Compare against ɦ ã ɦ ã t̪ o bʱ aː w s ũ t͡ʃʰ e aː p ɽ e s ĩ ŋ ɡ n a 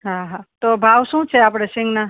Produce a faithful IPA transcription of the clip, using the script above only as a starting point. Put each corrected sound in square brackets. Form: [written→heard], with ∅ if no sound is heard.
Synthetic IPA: ɦ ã ɦ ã t̪ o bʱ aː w s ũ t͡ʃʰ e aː p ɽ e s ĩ ŋ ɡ n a